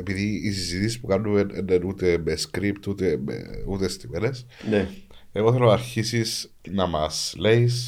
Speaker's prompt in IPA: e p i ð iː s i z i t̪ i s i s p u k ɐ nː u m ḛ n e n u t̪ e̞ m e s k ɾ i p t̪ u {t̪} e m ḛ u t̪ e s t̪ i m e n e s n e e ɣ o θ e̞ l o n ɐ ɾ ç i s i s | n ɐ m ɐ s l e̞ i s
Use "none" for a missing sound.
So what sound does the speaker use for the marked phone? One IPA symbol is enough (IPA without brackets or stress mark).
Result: t̪